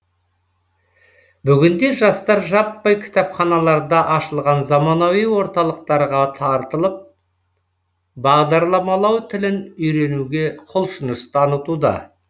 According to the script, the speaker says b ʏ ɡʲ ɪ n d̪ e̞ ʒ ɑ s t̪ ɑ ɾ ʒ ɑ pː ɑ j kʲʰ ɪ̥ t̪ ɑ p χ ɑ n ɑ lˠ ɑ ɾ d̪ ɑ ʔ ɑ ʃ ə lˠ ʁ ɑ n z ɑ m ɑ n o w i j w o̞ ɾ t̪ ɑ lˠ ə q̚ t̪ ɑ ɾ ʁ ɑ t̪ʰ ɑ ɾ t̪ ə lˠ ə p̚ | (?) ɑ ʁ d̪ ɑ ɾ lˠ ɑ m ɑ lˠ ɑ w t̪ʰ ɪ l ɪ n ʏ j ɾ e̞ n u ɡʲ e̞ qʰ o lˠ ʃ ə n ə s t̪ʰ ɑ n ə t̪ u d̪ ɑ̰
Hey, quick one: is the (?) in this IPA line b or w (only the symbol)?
b